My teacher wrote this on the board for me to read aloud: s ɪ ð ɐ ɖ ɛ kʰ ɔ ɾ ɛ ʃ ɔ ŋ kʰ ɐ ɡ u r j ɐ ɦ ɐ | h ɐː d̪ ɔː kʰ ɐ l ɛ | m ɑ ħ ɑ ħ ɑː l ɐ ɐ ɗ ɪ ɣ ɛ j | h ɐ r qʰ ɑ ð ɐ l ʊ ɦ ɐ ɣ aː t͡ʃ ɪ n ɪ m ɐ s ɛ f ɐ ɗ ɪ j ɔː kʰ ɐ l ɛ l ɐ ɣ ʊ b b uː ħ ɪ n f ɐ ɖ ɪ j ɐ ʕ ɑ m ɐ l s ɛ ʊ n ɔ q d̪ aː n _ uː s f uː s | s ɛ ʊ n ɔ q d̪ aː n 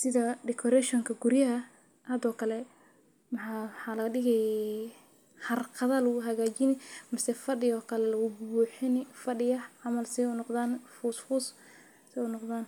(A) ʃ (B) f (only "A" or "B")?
B